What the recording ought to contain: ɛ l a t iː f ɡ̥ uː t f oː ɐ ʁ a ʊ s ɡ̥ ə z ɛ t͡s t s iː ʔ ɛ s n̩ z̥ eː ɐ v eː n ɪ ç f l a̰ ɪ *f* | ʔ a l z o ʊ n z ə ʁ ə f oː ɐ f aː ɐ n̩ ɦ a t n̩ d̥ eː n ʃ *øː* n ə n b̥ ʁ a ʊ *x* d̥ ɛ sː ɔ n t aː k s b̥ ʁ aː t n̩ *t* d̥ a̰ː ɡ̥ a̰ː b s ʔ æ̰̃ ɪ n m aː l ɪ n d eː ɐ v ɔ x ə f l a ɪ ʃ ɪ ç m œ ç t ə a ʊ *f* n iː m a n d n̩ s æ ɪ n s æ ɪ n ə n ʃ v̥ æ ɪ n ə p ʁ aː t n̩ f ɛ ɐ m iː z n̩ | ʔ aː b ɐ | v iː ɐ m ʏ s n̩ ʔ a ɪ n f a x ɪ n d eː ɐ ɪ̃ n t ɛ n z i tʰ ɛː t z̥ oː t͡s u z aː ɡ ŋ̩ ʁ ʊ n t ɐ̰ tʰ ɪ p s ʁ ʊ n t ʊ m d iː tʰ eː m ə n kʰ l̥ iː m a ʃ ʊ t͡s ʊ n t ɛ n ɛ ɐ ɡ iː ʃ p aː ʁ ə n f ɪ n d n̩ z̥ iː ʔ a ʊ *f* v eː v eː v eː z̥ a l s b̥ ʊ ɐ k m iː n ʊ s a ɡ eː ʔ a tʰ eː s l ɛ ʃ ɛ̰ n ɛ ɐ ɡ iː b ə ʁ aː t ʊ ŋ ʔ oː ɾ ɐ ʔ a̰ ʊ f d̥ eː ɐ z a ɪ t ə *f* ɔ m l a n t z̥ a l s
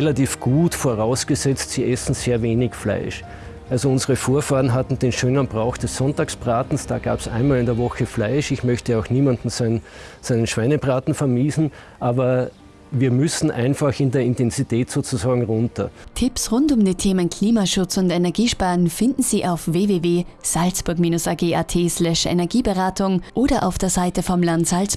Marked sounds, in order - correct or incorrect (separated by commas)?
incorrect, correct, correct, incorrect, incorrect, correct, correct